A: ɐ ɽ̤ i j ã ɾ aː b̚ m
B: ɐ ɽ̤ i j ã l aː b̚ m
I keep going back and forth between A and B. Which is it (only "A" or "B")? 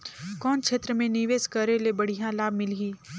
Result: B